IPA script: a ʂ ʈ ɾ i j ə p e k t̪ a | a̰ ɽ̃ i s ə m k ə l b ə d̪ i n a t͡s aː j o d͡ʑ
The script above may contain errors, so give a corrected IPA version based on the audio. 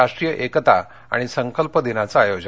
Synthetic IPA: a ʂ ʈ ɾ i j ə ʔ e k t̪ a | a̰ ɽ̃ i s ə ŋ k ə l p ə d̪ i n a t͡s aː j o d͡ʑ